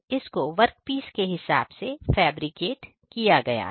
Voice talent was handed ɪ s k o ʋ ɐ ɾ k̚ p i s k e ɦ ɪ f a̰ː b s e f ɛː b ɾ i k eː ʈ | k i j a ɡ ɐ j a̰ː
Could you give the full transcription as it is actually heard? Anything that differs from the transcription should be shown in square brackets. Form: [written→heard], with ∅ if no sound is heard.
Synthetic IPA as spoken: ɪ s k o ʋ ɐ ɾ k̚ p [i→iː] s k e ɦ ɪ [f→s] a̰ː b s e f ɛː b ɾ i k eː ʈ | k i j a ɡ ɐ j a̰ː